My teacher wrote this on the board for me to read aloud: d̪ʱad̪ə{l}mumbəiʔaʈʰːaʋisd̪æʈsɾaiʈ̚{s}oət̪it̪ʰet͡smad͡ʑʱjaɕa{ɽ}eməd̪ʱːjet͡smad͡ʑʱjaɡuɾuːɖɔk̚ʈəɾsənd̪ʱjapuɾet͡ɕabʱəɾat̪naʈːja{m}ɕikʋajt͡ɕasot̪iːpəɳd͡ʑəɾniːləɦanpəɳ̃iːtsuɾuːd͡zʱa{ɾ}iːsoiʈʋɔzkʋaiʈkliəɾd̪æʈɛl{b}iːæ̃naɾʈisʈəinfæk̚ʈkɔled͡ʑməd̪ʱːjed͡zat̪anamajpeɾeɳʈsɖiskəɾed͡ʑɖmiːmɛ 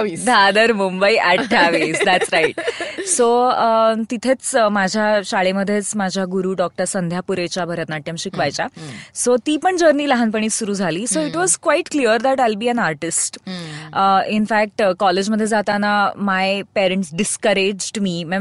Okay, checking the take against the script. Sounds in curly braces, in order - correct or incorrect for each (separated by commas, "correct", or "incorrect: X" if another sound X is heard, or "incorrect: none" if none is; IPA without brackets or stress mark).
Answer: incorrect: ɾ, correct, incorrect: ɭ, correct, incorrect: l, correct